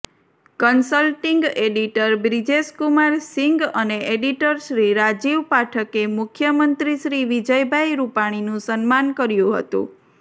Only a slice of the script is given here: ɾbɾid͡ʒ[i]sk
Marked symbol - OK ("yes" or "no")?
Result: no